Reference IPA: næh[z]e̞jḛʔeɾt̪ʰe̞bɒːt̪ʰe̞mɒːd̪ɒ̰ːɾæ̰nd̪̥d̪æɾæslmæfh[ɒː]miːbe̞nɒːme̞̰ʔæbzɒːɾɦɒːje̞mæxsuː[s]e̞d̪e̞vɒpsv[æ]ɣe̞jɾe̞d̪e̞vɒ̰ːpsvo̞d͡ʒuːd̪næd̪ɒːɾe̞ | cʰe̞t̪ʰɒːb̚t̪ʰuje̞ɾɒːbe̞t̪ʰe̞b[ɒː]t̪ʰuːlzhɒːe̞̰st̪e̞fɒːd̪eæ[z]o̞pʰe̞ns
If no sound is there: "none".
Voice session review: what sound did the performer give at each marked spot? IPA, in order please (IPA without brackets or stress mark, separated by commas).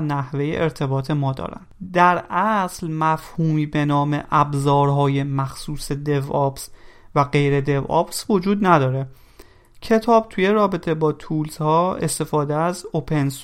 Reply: v, uː, s, æ, ɒː, z